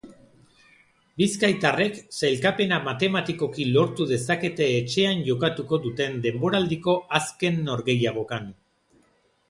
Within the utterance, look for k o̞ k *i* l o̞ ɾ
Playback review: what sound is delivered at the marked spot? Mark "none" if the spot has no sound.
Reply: i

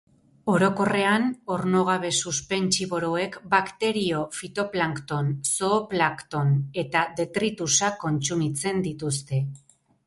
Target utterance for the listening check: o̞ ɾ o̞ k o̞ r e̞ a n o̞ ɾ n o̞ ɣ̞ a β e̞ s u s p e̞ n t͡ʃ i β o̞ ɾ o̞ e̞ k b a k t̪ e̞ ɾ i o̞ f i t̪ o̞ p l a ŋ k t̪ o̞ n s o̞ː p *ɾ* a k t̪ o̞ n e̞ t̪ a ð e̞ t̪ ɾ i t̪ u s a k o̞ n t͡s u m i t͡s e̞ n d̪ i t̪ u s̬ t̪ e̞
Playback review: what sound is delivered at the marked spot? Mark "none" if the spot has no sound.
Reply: l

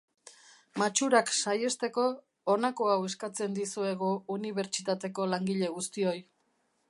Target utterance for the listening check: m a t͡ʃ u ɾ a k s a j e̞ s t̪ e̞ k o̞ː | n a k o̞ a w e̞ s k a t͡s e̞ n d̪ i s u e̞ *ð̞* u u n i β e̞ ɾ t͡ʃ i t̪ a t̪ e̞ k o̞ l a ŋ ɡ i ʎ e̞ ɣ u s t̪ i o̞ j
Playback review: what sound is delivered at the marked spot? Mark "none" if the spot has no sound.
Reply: ɣ̞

